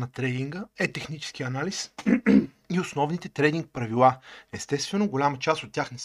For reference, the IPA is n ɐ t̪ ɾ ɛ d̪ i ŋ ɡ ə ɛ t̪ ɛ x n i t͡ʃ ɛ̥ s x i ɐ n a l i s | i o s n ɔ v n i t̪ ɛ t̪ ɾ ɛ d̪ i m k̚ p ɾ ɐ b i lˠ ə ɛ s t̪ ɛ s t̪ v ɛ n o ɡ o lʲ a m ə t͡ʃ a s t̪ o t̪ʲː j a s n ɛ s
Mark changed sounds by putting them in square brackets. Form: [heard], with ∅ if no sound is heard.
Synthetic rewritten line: n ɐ t̪ ɾ ɛ d̪ i ŋ ɡ ə ɛ t̪ ɛ x n i t͡ʃ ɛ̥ s [k] i ɐ n a l i s | i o s n ɔ v n i t̪ ɛ t̪ ɾ ɛ d̪ i [ŋ] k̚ p ɾ ɐ [v] i lˠ [a] ɛ s t̪ ɛ s t̪ v ɛ n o ɡ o lʲ a m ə t͡ʃ a s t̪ o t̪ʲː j a [x] n ɛ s